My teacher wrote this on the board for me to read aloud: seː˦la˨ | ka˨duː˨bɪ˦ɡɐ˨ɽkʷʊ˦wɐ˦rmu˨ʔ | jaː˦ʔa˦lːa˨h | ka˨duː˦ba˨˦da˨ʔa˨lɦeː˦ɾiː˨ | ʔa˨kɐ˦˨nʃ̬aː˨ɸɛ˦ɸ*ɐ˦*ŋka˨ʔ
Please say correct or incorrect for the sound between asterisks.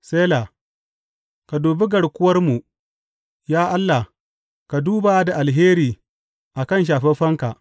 correct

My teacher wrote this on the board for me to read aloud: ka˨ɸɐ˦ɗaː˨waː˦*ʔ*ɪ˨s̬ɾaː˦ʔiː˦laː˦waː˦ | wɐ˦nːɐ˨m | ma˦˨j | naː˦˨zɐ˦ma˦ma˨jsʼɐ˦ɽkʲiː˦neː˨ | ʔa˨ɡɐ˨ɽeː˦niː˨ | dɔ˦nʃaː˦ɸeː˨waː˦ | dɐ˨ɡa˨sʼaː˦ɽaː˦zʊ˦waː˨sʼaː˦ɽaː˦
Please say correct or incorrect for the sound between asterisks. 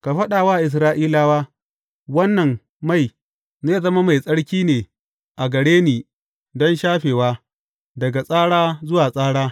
correct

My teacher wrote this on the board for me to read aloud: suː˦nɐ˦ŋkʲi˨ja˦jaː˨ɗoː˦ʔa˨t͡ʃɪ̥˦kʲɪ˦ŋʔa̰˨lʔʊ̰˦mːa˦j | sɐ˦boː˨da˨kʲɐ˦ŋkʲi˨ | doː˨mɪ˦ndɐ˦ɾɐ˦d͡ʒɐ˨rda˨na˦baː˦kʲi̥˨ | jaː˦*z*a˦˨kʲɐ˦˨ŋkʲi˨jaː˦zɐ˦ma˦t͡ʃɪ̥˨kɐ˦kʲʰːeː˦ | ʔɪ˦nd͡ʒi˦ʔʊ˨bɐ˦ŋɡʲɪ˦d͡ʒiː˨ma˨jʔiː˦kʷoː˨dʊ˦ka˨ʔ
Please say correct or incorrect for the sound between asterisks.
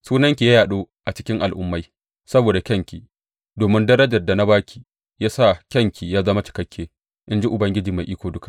incorrect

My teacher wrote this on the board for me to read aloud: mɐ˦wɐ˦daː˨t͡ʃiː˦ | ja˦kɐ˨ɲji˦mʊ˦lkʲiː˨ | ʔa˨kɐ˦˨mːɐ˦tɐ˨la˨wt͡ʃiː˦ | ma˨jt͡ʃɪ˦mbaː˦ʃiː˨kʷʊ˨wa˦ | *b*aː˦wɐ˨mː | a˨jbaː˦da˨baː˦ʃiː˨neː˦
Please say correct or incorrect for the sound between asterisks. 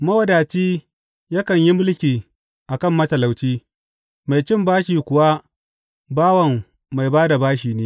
correct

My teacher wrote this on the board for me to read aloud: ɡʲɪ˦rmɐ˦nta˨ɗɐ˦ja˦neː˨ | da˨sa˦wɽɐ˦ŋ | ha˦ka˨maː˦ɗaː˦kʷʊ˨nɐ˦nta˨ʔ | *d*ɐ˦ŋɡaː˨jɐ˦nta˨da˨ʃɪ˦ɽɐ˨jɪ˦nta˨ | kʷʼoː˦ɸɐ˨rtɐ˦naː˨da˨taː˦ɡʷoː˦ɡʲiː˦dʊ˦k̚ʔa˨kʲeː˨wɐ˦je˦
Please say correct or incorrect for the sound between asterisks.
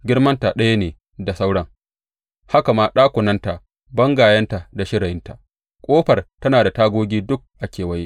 incorrect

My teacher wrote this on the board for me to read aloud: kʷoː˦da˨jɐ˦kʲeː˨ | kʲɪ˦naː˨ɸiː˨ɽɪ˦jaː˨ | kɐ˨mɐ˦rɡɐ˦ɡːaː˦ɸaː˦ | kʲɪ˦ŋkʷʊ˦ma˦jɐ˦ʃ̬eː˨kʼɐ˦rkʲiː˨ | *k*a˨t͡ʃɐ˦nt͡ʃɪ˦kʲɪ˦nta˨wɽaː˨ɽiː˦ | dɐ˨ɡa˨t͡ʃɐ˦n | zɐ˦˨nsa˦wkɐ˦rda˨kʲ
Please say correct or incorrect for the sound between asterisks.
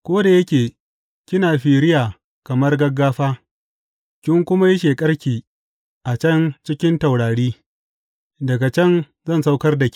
incorrect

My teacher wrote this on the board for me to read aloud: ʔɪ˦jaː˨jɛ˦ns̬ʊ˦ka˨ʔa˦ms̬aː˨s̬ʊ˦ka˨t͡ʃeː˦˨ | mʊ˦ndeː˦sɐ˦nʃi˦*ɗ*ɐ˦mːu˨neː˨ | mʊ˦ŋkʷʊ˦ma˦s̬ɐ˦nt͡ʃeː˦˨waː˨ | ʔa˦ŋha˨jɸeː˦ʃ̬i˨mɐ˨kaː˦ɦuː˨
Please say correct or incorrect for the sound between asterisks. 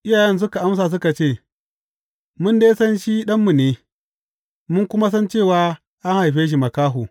correct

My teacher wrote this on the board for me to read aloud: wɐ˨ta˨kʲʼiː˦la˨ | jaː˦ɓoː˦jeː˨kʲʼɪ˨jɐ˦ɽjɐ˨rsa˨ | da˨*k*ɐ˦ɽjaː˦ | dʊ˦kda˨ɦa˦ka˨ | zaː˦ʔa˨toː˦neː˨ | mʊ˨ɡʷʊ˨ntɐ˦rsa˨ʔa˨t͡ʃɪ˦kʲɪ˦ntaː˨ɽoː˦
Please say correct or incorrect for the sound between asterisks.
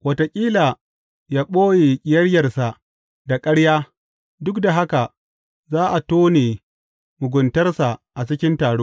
incorrect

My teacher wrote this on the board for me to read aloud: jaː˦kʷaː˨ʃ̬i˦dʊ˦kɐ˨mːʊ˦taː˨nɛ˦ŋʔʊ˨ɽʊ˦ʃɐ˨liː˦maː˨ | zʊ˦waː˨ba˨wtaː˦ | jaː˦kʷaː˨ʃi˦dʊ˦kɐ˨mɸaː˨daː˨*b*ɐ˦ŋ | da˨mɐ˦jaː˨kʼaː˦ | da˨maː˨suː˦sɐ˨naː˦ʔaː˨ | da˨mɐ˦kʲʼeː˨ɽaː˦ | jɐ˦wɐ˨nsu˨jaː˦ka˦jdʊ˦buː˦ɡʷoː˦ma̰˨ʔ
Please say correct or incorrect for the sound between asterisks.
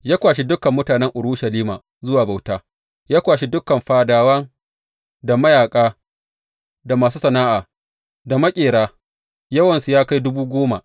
incorrect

